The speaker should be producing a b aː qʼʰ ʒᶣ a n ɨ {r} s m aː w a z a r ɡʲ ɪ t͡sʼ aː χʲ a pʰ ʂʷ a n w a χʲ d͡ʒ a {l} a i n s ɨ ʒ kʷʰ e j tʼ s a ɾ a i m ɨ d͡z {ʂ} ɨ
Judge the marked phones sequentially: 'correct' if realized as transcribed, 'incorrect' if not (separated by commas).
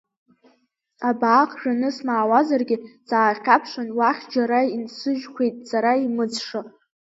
incorrect, incorrect, correct